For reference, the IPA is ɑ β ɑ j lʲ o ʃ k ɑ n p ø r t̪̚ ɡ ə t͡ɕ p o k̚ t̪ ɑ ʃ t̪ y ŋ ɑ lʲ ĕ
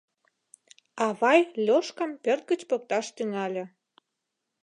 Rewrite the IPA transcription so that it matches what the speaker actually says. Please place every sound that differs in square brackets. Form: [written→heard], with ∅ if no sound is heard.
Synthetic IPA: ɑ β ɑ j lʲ o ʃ k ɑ [n→m] p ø r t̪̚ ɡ ə t͡ɕ p o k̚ t̪ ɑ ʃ t̪ y ŋ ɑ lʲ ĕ

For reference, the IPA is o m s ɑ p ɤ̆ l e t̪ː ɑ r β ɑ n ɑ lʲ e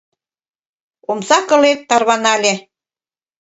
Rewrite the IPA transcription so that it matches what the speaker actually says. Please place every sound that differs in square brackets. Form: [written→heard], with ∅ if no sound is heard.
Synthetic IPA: o m s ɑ [p→k] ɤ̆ l e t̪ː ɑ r β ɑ n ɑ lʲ e

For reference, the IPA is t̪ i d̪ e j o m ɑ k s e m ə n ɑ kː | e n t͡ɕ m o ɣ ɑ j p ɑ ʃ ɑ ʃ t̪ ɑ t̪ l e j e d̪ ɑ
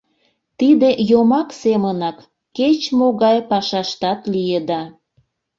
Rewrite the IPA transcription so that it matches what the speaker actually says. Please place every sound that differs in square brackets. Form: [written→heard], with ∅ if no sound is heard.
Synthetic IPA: t̪ i d̪ e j o m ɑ k s e m ə n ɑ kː | e [n→∅] t͡ɕ m o ɣ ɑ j p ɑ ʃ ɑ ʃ t̪ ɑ t̪ l [e→i] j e d̪ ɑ

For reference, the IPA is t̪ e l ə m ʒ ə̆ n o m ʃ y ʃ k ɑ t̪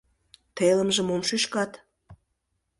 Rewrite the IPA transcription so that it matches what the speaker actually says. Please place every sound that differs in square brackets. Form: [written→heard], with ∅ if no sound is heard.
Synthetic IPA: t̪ e l ə m ʒ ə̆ [n→m] o m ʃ y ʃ k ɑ t̪

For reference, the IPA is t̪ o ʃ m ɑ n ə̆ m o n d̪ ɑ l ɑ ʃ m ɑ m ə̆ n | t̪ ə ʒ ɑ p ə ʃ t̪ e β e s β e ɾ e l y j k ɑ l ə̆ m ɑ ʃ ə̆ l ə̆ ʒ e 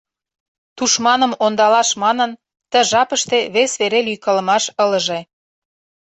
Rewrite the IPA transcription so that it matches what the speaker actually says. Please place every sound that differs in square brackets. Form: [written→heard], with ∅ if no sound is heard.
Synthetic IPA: t̪ [o→u] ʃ m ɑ n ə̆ m o n d̪ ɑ l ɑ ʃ m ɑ [m→n] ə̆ n | t̪ ə ʒ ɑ p ə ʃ t̪ e β e s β e ɾ e l y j k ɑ l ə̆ m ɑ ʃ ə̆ l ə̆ ʒ e

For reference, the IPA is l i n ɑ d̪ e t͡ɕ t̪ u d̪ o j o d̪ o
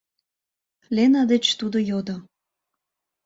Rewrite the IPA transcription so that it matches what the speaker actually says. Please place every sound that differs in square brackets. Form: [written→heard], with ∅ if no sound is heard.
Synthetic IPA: l [i→e] n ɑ d̪ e t͡ɕ t̪ u d̪ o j o d̪ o

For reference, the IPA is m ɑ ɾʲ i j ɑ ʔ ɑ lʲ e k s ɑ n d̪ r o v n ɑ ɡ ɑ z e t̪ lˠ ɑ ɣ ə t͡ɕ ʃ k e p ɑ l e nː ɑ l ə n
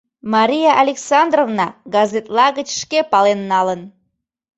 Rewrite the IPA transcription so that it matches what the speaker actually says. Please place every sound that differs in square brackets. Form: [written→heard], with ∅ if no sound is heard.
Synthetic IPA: m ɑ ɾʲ i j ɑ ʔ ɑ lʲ e k s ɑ n d̪ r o v n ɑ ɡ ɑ z e t̪ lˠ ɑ ɣ ə t͡ɕ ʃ k e p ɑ l e nː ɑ l ə n

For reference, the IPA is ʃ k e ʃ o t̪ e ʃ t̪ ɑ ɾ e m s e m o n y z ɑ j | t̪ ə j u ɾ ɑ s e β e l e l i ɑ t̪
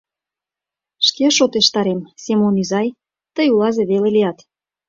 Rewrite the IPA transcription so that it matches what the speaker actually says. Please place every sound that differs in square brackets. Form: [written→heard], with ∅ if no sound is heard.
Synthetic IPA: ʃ k e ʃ o t̪ e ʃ t̪ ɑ ɾ e m s e m o n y z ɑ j | t̪ ə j u [ɾ→l] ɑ [s→z] e β e l e l i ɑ t̪

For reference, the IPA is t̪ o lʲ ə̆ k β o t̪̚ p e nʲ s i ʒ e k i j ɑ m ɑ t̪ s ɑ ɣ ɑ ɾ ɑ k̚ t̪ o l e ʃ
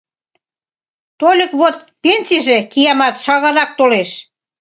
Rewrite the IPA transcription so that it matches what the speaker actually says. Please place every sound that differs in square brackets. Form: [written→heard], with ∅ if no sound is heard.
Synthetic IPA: t̪ o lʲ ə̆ k β o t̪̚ p e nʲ s i ʒ e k i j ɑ m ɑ t̪ [s→ʃ] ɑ ɣ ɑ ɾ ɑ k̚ t̪ o l e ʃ

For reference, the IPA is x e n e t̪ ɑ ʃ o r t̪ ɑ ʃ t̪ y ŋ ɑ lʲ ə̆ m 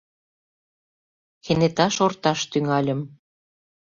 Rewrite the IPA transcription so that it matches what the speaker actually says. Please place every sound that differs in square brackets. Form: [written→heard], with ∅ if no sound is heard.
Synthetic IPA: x e n e t̪ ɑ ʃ o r t̪ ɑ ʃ t̪ y ŋ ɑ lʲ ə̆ m

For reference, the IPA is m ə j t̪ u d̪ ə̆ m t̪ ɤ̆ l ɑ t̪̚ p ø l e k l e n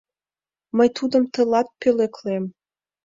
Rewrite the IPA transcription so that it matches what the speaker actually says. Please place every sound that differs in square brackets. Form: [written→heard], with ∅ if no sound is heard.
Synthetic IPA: m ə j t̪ u d̪ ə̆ m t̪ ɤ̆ l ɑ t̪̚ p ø l e k l e [n→m]

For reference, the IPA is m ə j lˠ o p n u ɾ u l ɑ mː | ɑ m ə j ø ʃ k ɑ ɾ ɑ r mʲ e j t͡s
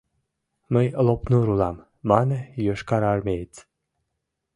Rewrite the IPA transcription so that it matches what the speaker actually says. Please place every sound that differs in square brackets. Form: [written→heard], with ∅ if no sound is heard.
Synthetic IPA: m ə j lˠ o p n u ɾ u l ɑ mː | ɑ [m→n] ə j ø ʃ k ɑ ɾ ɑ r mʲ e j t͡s

